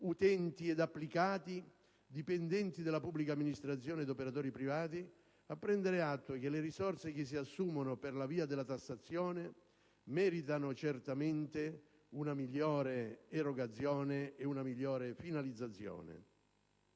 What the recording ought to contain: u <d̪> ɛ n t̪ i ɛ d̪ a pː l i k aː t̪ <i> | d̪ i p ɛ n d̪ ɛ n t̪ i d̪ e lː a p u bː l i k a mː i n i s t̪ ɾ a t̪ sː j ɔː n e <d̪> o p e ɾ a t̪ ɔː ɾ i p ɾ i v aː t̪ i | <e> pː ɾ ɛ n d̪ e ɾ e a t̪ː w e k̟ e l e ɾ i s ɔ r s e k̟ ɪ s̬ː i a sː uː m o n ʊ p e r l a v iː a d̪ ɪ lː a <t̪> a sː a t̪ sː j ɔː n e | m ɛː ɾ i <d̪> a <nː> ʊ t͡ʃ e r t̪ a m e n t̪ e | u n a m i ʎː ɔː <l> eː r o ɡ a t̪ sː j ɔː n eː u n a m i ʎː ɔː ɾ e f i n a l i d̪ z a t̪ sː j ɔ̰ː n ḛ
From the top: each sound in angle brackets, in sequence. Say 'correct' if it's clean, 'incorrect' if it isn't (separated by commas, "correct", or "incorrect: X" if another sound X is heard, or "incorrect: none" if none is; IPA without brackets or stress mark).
incorrect: t̪, correct, correct, incorrect: a, correct, incorrect: t̪, incorrect: n, incorrect: ɾ